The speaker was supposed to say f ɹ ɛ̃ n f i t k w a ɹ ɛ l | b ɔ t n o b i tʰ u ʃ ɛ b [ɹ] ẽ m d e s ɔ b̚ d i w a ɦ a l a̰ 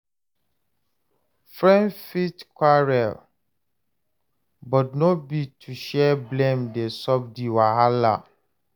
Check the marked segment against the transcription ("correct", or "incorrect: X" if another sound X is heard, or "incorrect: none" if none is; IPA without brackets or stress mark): incorrect: l